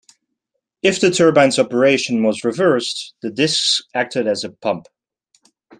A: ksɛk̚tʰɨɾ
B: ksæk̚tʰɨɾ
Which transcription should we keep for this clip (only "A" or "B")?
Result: B